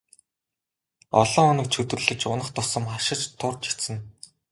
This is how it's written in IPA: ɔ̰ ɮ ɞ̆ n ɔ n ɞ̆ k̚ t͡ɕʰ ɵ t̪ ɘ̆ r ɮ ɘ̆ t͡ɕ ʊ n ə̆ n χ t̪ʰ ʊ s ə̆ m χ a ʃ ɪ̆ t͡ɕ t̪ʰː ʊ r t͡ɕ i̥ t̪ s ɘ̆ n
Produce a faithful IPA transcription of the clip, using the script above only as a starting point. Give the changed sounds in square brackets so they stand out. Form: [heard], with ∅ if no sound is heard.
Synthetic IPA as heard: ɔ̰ ɮ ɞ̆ [ŋ] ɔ n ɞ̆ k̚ t͡ɕʰ ɵ t̪ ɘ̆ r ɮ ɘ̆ t͡ɕ ʊ n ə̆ [∅] χ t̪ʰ ʊ s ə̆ m χ a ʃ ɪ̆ t͡ɕ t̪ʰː ʊ r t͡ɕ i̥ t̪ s ɘ̆ n